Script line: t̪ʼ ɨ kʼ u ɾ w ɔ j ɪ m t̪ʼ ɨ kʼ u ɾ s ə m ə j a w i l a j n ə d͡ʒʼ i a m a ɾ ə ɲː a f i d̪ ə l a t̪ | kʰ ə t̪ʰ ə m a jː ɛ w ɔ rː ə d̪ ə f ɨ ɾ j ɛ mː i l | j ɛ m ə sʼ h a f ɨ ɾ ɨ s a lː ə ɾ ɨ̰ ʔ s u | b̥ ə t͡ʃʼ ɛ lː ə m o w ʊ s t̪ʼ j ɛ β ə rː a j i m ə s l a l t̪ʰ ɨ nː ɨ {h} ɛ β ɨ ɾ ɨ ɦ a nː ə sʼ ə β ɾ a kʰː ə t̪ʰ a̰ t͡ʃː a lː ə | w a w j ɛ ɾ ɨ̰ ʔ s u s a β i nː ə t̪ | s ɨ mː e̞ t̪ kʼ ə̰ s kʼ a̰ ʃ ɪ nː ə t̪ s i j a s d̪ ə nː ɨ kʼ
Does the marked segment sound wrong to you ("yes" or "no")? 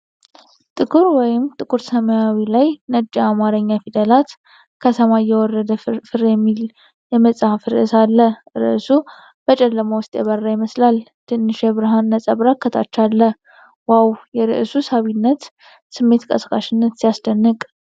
yes